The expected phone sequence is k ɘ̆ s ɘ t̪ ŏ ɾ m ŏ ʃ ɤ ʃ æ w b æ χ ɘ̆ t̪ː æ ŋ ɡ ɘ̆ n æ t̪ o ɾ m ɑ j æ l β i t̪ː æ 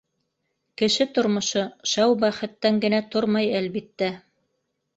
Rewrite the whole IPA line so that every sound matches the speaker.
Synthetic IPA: k ɘ̆ ʃ ɘ t̪ ŏ ɾ m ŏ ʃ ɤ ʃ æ w b æ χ ɘ̆ t̪ː æ ŋ ɡ ɘ̆ n æ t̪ o ɾ m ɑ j æ l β i t̪ː æ